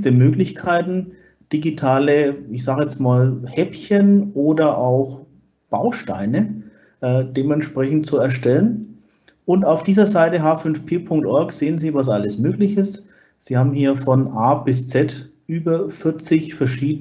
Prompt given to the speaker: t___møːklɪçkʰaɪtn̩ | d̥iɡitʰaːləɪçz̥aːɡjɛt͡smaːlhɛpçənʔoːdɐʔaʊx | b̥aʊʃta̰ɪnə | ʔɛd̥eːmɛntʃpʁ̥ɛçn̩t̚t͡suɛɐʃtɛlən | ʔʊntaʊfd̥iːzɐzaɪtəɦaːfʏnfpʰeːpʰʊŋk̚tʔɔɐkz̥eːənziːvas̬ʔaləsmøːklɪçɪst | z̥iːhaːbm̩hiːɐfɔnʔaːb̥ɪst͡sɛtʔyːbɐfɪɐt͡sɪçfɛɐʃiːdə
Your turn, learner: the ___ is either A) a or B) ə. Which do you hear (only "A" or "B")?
B